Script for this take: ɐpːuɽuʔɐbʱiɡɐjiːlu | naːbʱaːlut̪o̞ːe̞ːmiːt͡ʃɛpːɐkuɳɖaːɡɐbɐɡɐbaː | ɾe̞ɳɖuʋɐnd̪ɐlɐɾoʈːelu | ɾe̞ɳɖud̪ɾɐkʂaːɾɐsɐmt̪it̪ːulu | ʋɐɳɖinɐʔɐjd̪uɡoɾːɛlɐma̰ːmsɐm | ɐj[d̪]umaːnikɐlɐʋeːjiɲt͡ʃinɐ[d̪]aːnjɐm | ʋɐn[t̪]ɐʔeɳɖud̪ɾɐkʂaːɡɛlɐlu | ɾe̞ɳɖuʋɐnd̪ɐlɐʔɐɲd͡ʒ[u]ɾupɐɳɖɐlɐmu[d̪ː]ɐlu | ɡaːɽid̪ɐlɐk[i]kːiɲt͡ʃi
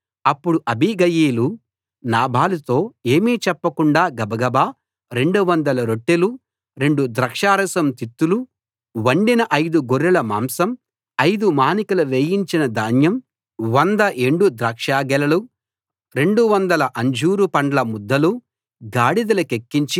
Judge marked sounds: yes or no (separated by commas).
yes, yes, no, no, yes, no